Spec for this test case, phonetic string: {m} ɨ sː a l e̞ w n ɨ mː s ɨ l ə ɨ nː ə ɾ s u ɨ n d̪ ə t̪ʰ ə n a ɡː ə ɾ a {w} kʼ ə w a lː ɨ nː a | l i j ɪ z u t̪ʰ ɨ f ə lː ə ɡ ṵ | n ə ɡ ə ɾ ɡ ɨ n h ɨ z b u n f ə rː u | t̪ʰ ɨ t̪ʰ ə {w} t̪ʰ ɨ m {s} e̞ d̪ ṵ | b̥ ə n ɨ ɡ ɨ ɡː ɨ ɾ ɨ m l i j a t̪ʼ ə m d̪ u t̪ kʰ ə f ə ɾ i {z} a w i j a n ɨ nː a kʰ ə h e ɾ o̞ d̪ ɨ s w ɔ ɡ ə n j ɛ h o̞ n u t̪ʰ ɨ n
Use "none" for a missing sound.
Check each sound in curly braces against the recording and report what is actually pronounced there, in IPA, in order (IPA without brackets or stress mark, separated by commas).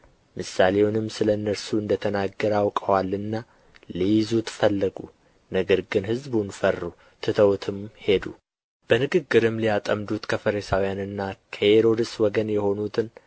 m, w, w, h, s